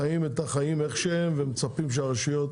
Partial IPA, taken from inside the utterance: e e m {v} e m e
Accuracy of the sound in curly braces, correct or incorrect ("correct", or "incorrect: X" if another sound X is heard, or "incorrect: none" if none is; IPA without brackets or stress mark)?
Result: correct